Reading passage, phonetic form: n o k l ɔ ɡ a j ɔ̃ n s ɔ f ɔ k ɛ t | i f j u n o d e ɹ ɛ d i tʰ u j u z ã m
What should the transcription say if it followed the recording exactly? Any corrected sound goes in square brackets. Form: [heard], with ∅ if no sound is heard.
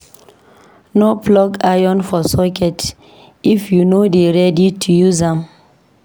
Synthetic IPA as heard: n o [p] l ɔ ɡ a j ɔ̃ n [f] ɔ [s] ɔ k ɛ t | i f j u n o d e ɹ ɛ d i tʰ u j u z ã m